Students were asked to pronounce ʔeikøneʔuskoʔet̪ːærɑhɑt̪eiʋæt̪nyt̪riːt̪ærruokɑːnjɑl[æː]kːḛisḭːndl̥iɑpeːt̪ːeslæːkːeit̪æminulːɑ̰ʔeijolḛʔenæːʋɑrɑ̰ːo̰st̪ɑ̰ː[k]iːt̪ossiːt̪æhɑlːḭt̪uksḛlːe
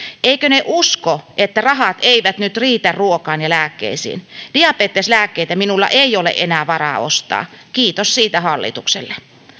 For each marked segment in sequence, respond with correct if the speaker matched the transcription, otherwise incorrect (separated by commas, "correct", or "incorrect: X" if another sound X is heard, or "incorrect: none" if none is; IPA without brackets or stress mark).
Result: correct, correct